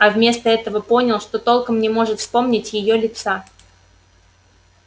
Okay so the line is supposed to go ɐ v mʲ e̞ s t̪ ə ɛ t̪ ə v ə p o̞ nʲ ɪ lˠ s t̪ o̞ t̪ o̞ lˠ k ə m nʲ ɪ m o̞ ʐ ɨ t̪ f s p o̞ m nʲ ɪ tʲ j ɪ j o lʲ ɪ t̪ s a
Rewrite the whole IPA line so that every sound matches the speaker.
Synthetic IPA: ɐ v mʲ e̞ s t̪ ə ɛ t̪ ə v ə p o̞ nʲ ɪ lˠ ʂ t̪ o̞ t̪ o̞ lˠ k ə m nʲ ɪ m o̞ ʐ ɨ t̪ f s p o̞ m nʲ ɪ tʲ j ɪ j o lʲ ɪ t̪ s a